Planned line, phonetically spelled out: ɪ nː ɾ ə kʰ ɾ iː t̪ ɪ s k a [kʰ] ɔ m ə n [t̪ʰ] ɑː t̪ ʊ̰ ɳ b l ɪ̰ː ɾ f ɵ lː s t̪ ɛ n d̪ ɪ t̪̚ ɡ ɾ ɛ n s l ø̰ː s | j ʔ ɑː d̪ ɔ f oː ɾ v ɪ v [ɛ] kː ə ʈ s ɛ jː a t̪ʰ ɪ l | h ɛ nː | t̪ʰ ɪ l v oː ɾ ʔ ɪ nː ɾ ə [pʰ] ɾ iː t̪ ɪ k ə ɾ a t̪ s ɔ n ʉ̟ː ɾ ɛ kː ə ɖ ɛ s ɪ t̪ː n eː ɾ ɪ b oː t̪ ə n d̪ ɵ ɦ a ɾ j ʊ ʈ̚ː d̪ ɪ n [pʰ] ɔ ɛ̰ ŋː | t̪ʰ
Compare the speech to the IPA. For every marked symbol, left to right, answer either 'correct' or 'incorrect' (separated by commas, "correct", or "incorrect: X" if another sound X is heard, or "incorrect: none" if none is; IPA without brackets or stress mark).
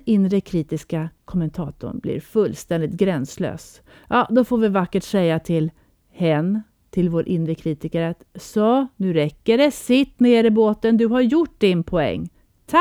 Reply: correct, correct, incorrect: a, incorrect: kʰ, correct